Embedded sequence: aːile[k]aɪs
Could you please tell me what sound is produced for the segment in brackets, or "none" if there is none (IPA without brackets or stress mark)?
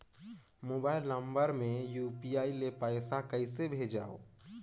p